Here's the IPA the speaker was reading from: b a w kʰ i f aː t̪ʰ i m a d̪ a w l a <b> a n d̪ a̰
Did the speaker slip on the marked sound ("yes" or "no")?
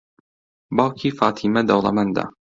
yes